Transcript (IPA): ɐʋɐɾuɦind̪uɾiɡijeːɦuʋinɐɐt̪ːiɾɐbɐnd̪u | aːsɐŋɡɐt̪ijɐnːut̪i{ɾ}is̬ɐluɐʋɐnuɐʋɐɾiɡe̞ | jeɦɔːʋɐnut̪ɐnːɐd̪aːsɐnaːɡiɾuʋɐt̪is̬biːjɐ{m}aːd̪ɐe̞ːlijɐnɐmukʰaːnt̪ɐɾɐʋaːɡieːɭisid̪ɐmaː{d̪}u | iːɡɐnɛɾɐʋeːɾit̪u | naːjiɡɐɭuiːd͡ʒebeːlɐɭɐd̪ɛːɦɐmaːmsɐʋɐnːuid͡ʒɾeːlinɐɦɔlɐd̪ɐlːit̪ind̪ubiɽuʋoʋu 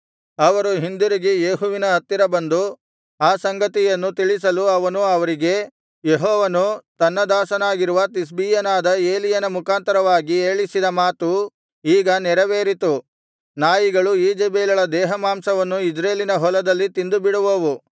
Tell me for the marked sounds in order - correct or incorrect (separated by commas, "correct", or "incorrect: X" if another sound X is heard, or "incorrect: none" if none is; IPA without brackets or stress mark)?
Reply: incorrect: ɭ, incorrect: n, incorrect: t̪